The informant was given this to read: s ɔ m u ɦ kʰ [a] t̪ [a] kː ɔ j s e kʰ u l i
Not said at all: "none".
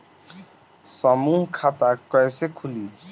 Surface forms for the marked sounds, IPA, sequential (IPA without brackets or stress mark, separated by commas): a, a